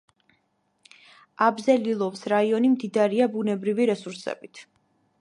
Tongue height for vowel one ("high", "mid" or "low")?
low